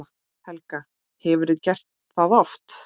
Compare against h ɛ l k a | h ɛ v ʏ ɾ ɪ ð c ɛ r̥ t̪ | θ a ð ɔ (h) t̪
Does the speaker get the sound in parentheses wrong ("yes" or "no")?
yes